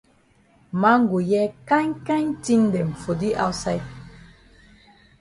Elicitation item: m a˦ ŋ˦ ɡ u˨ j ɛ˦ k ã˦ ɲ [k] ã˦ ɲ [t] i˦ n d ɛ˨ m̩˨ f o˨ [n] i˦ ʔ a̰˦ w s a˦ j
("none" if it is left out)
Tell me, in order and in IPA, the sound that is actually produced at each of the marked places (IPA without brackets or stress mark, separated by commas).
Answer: k, t, d